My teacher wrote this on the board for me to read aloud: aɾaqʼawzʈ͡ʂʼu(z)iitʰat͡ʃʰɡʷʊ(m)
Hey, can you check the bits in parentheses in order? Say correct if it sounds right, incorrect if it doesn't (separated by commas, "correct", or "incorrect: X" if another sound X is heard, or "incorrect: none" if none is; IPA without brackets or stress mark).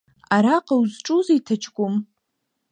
correct, correct